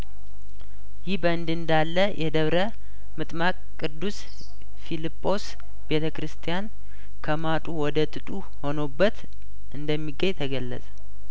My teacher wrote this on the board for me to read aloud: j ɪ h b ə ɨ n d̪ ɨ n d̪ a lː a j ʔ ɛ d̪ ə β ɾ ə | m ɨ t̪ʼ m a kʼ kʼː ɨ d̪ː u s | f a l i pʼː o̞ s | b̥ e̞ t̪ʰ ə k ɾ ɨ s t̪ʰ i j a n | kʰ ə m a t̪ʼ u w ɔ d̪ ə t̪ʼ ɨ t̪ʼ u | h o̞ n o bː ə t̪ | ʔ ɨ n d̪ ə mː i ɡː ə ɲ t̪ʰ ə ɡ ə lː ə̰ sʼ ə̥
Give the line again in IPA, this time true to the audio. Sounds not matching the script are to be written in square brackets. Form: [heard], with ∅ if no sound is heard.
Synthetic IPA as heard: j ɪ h b ə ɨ n d̪ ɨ n d̪ a lː [ə] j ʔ ɛ d̪ ə β ɾ ə | m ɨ t̪ʼ m a kʼ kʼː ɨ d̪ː u s | f [i] l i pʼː o̞ s | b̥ e̞ t̪ʰ ə k ɾ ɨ s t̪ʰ i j a n | kʰ ə m a t̪ʼ u w ɔ d̪ ə t̪ʼ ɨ t̪ʼ u | h o̞ n o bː ə t̪ | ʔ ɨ n d̪ ə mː i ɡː ə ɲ t̪ʰ ə ɡ ə lː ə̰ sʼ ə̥

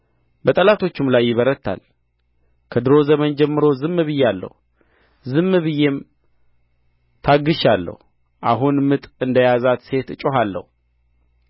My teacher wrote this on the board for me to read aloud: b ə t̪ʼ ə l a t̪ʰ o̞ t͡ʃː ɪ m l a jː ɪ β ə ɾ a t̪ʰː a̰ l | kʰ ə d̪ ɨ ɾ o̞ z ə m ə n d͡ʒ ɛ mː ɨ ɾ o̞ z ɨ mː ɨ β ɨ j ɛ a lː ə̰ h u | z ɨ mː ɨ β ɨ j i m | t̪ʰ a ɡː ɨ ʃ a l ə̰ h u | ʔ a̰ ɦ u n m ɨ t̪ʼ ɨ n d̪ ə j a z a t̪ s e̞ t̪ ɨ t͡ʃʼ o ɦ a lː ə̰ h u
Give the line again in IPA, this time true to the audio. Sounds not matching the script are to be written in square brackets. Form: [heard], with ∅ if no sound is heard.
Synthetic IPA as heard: b ə t̪ʼ ə l a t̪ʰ o̞ t͡ʃː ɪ m l a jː ɪ β ə ɾ [ə] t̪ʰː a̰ l | kʰ ə d̪ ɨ ɾ o̞ z ə m ə n d͡ʒ ɛ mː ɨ ɾ o̞ z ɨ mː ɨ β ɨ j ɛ a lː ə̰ h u | z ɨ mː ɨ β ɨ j [e] m | t̪ʰ a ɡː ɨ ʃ a [lː] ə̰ h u | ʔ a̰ ɦ u n m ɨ t̪ʼ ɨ n d̪ ə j a z a t̪ s e̞ t̪ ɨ t͡ʃʼ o ɦ a lː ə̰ h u

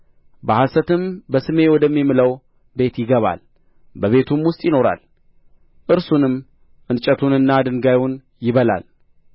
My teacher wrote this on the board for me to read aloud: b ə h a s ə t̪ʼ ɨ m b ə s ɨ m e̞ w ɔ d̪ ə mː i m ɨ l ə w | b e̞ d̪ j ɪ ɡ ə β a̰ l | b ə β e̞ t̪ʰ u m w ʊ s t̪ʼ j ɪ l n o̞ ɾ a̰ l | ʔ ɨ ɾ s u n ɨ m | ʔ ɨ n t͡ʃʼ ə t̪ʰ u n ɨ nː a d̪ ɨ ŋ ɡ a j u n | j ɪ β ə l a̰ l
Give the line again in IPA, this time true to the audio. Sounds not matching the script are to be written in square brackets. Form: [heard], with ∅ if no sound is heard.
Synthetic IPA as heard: b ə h a s ə [t̪] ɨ m b ə s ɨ m e̞ w ɔ d̪ ə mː i m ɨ l ə w | b e̞ [t̪] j ɪ ɡ ə β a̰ l | b ə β e̞ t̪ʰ u m w ʊ s t̪ʼ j ɪ [∅] n o̞ ɾ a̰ l | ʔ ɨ ɾ s u n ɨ m | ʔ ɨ n t͡ʃʼ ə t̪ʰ u n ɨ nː a d̪ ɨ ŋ ɡ a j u n | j ɪ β ə l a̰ l

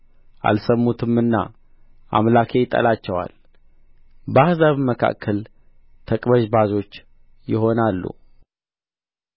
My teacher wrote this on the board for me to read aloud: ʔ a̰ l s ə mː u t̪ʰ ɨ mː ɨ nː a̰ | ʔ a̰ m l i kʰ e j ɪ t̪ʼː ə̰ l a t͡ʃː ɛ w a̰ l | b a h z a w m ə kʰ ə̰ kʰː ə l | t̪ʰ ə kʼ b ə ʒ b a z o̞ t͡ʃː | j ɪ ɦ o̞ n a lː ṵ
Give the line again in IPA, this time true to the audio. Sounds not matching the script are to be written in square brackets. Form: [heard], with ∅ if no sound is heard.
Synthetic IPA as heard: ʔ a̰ l s ə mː u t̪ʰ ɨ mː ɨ nː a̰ | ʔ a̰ m l [a] kʰ e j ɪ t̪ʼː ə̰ l a t͡ʃː ɛ w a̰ l | b a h z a [β] m ə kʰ [a̰] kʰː ə l | t̪ʰ ə kʼ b ə ʒ b a z o̞ t͡ʃː | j ɪ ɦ o̞ n a lː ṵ

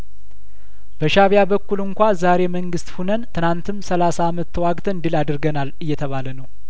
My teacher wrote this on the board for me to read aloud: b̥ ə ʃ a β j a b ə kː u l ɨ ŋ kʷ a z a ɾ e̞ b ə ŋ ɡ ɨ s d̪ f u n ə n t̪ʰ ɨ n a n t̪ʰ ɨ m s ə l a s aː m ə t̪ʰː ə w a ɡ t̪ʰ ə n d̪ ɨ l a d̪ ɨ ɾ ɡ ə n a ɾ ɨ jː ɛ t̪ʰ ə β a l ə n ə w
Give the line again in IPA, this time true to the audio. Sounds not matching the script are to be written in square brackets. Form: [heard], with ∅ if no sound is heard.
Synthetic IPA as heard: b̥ ə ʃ a β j a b ə kː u l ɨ ŋ kʷ a z a ɾ e̞ [m] ə ŋ ɡ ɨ s [t̪] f u n ə n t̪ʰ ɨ n a n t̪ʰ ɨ m s ə l a s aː m ə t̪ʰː ə w a ɡ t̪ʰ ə n d̪ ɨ l a d̪ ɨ ɾ ɡ ə n a [l] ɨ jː ɛ t̪ʰ ə β a l ə n ə w

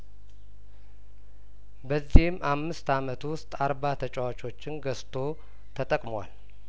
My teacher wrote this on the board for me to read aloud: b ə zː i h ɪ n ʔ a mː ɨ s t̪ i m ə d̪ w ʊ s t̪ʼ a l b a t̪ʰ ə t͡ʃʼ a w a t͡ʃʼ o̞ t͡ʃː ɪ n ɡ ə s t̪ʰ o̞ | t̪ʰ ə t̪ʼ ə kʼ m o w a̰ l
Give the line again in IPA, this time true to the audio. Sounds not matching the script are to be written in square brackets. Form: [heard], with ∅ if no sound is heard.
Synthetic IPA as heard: b ə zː i h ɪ [m] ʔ a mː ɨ s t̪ [a] m ə [t̪] w ʊ s t̪ʼ a [ɾ] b a t̪ʰ ə t͡ʃʼ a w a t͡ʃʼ o̞ t͡ʃː ɪ n ɡ ə s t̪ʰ o̞ | t̪ʰ ə t̪ʼ ə kʼ m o w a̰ l

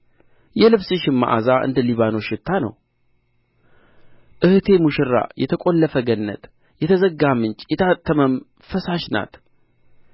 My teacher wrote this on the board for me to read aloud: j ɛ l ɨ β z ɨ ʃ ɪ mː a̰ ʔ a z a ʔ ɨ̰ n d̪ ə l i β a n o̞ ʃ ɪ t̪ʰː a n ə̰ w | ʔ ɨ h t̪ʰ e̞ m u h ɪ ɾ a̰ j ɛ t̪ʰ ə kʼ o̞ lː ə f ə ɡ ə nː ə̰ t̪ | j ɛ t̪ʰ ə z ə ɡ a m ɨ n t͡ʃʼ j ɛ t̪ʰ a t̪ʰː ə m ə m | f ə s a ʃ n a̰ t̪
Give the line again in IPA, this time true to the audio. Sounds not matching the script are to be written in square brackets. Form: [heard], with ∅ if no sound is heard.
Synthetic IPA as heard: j ɛ l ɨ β [s] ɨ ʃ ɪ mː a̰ ʔ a z a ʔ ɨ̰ n d̪ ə l i β a n o̞ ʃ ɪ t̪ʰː a n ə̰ w | ʔ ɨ h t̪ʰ e̞ m u [ʃ] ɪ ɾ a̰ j ɛ t̪ʰ ə kʼ o̞ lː ə f ə ɡ ə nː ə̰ t̪ | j ɛ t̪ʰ ə z ə ɡ a m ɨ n t͡ʃʼ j ɛ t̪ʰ a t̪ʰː ə m ə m | f ə s a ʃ n a̰ t̪

